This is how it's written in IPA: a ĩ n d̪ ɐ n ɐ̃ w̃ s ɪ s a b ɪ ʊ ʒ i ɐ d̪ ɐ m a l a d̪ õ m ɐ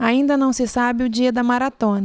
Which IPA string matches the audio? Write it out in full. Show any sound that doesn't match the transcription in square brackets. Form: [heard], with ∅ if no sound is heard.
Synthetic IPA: a ĩ n d̪ ɐ n ɐ̃ w̃ s ɪ s a b ɪ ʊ [d͡ʒ] i ɐ d̪ ɐ m a [ɾ] a [t̪] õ [n] ɐ